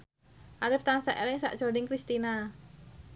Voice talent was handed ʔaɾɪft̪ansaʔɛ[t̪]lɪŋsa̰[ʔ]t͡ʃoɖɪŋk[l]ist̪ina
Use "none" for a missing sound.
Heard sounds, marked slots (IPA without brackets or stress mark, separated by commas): none, ʔ, ɾ